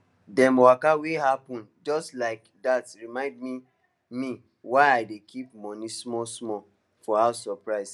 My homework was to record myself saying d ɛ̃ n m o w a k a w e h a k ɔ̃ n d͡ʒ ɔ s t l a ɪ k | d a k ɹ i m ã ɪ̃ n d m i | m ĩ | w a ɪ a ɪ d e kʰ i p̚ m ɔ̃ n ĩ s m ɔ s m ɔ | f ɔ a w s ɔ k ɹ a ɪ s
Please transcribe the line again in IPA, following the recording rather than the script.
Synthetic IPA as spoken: d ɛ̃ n m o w a k a w e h a p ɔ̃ n d͡ʒ ɔ s t l a ɪ k | d a t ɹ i m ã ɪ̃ n d m i | m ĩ | w a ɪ a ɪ d e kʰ i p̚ m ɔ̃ n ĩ s m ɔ s m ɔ | f ɔ a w s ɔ p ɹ a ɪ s